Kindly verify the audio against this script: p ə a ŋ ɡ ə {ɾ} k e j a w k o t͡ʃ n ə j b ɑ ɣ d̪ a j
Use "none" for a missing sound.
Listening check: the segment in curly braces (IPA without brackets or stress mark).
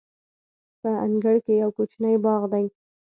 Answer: ɽ